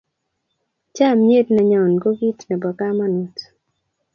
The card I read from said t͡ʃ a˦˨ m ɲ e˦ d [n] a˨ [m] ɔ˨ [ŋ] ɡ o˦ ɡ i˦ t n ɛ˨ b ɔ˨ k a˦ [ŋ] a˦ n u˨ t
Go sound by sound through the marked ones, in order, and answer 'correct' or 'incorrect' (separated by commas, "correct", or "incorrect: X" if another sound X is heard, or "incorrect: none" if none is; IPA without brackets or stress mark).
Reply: correct, incorrect: ɲ, incorrect: n, incorrect: m